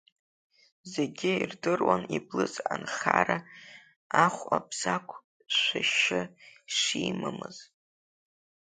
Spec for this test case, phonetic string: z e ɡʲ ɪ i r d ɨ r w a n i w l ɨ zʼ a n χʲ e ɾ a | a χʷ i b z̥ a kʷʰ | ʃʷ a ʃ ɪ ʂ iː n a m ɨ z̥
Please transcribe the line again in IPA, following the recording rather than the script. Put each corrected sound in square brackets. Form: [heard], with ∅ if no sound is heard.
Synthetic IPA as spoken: z e ɡʲ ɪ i r d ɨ r w a n i [b] l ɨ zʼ a n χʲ [a] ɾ a | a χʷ [a] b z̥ a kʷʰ | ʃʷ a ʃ ɪ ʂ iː [m] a m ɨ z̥